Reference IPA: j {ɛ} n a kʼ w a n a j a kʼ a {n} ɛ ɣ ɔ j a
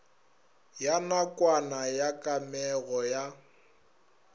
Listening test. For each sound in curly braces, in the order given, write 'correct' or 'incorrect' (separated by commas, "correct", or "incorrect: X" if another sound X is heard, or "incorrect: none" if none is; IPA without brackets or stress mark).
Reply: incorrect: a, incorrect: m